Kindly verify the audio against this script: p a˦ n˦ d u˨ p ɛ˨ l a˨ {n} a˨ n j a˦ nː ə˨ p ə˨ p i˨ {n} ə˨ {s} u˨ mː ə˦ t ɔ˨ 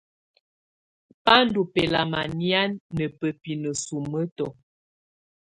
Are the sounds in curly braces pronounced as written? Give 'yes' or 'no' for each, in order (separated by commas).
no, yes, yes